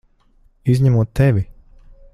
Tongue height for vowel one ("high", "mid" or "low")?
high